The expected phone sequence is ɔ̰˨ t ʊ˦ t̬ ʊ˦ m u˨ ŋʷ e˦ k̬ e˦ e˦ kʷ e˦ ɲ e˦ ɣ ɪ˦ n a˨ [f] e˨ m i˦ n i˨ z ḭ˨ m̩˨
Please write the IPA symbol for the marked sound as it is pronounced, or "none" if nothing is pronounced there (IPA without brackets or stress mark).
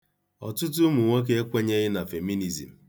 f